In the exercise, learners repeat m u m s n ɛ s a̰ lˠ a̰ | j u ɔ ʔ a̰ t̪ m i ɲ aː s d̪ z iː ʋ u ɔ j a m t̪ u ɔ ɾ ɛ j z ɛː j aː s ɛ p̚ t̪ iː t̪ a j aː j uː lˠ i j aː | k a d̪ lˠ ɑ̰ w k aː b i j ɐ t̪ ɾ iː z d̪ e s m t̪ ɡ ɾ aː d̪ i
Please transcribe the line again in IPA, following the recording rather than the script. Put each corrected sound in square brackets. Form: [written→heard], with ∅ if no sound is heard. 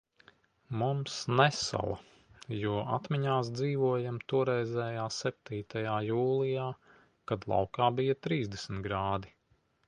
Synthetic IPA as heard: m u m s n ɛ s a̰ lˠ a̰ | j u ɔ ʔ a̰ t̪ m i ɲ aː s d̪ z iː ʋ u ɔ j a m t̪ u ɔ ɾ ɛ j z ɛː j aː s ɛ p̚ t̪ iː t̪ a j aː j uː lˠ i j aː | k a d̪ lˠ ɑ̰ w k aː b i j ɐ t̪ ɾ iː z d̪ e s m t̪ ɡ ɾ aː d̪ i